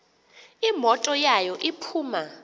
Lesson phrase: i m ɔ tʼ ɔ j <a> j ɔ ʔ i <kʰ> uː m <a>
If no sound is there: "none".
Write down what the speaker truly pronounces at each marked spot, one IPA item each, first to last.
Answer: a, pʰ, a

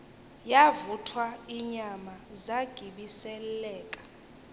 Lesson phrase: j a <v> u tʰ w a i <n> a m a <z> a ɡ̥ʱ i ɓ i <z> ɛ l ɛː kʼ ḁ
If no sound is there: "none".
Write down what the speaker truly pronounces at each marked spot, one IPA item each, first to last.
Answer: v, ɲ, z, s

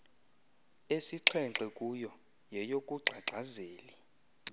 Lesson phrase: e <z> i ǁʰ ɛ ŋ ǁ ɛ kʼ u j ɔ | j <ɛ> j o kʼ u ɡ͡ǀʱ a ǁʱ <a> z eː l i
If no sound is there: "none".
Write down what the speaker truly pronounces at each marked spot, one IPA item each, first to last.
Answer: s, ɛ, a

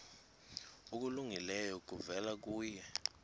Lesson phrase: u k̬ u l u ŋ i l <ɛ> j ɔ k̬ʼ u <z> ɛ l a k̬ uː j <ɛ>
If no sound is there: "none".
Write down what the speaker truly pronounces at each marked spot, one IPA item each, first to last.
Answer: ɛ, v, ɛ

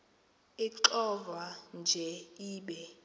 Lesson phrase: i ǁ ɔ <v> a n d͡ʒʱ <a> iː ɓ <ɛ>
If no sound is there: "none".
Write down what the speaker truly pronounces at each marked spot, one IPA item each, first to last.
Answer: v, ɛ, ɛ

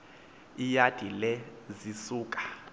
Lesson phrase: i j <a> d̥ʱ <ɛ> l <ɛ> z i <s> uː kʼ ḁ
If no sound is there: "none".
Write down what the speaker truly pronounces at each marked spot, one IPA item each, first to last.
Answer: a, i, ɛ, s

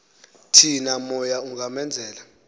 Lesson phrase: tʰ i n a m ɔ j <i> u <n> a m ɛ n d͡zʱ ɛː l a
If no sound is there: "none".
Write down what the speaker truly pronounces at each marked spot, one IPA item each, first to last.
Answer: a, ŋ

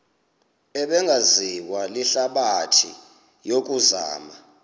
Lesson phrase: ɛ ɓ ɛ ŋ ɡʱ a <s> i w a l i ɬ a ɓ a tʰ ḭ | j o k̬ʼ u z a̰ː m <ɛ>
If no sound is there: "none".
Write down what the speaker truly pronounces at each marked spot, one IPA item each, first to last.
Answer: z, a

